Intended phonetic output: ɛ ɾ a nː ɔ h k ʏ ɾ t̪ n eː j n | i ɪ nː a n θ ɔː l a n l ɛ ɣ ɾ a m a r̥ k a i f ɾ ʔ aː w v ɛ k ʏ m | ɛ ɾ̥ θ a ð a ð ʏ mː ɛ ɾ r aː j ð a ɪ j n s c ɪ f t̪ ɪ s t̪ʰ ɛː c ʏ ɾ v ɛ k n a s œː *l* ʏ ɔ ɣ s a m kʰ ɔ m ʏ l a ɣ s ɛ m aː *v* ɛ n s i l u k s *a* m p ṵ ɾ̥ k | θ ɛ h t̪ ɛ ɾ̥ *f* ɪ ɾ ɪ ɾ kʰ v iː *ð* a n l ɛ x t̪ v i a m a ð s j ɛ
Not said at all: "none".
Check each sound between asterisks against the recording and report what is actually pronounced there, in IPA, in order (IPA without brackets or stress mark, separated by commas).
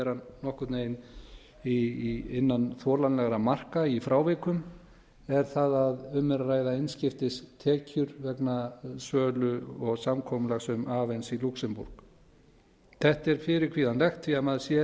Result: l, v, ɛ, f, ð